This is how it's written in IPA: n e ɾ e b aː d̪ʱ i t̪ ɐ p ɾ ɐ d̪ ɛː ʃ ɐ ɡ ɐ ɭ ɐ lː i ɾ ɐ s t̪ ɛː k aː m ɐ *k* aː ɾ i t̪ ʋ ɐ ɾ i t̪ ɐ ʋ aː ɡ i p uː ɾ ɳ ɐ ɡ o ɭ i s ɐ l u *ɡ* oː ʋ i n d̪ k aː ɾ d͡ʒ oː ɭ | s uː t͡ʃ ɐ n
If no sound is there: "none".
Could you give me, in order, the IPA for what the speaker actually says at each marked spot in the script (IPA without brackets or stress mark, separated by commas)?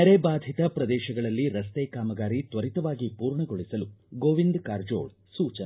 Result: ɡ, ɡ